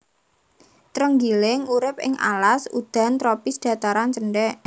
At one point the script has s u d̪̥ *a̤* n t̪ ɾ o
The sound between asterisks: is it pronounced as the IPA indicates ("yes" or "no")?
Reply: yes